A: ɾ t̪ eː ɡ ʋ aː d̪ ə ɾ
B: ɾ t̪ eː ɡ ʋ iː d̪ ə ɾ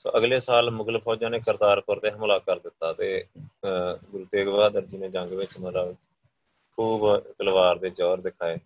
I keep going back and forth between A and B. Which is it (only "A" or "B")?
A